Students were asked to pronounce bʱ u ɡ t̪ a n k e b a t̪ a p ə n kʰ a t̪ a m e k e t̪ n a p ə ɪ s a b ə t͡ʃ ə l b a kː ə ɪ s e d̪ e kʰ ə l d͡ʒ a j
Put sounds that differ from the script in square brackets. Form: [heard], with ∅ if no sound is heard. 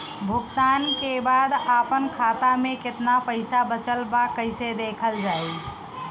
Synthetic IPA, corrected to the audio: bʱ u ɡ t̪ a n k e b a [d̪] a p ə n kʰ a t̪ a m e k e t̪ n a p ə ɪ s a b ə t͡ʃ ə l b a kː ə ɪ s e d̪ e kʰ ə l d͡ʒ a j